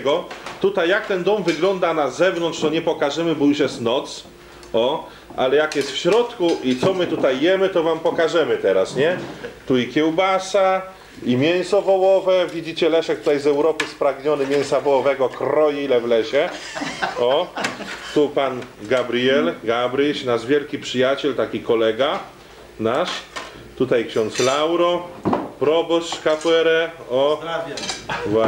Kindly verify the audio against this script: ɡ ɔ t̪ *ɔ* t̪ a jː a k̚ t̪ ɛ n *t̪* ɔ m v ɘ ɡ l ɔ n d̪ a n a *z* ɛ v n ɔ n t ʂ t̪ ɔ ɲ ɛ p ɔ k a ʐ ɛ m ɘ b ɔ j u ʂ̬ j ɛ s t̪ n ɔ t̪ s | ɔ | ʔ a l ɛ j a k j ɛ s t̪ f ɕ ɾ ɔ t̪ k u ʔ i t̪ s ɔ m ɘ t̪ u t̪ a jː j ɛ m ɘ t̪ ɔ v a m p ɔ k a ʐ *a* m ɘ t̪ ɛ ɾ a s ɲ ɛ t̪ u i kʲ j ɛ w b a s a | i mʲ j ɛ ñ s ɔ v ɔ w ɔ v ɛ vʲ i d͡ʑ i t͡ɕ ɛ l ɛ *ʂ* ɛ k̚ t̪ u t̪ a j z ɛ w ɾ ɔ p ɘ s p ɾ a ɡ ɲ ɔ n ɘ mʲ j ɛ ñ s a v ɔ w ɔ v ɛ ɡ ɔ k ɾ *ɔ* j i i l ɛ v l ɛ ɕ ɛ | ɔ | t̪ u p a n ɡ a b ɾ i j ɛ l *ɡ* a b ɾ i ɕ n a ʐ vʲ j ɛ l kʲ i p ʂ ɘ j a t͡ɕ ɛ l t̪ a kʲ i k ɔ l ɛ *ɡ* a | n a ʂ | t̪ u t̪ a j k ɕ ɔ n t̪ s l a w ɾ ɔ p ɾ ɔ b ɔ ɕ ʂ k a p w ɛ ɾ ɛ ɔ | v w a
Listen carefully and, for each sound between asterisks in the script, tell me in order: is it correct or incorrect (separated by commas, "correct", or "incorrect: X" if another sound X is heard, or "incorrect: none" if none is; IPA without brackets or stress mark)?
incorrect: u, incorrect: d̪, correct, incorrect: ɛ, correct, correct, correct, correct